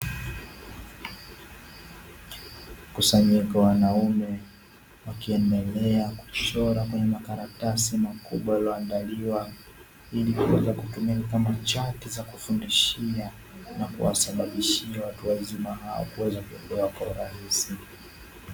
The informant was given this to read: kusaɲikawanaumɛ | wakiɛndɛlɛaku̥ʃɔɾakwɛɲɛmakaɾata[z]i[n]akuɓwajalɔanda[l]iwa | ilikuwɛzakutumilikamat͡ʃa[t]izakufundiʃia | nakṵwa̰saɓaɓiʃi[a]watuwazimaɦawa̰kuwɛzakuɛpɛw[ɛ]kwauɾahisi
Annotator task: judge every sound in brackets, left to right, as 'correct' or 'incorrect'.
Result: incorrect: s, incorrect: m, correct, correct, correct, incorrect: a

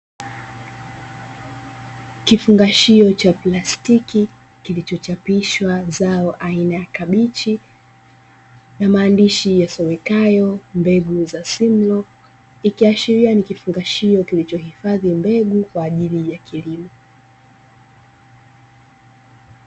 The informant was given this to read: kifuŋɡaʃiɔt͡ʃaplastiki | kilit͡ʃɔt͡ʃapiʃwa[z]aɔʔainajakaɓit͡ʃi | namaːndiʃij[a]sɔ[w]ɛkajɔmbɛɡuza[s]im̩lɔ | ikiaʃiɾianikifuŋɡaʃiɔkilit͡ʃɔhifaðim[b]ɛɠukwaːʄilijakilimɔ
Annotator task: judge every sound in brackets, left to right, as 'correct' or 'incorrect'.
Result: correct, correct, correct, correct, correct

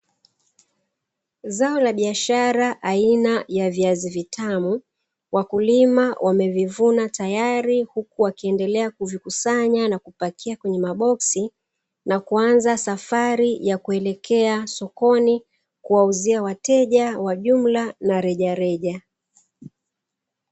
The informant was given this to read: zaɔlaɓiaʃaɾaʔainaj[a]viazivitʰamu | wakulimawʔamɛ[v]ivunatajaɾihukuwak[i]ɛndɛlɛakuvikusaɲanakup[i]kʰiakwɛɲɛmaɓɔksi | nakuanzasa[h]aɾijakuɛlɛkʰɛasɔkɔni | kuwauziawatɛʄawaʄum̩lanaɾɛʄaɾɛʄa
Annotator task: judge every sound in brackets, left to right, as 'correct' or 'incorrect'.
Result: correct, correct, correct, incorrect: a, incorrect: f

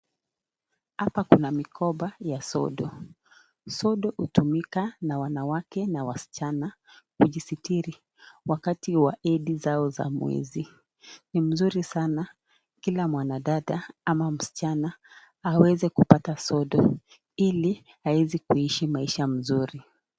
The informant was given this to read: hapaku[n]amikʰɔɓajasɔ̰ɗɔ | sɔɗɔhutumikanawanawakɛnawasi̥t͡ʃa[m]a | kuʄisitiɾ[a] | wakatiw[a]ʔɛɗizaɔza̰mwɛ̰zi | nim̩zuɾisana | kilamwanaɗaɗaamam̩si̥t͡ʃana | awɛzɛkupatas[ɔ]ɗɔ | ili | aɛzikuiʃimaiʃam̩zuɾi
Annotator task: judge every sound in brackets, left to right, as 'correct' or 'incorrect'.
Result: correct, incorrect: n, incorrect: i, correct, correct

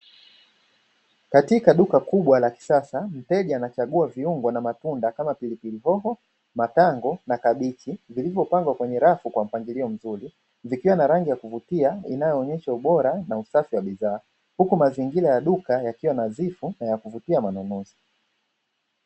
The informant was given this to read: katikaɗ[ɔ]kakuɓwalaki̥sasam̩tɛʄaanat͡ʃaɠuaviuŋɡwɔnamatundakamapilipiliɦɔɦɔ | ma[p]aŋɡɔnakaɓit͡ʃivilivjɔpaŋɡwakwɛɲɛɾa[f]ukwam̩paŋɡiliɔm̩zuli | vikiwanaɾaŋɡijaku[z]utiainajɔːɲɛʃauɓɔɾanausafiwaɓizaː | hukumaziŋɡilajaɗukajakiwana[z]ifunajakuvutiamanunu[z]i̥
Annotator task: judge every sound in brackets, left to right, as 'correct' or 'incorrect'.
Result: incorrect: u, incorrect: t, correct, incorrect: v, correct, correct

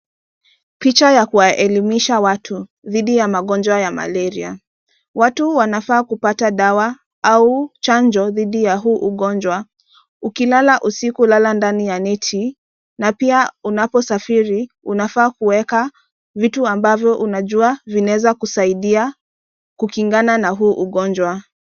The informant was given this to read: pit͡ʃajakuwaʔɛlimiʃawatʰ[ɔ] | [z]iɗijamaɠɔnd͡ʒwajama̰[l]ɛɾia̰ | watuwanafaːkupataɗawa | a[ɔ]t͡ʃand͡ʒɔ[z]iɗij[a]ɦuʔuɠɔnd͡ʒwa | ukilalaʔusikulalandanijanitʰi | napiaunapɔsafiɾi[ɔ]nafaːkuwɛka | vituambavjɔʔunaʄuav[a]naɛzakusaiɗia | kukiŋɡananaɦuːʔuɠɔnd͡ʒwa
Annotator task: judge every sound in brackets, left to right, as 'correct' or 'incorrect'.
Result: incorrect: u, incorrect: ð, correct, incorrect: u, incorrect: ð, correct, incorrect: u, incorrect: i

